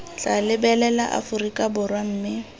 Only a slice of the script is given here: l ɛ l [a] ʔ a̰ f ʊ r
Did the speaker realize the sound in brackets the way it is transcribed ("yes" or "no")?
yes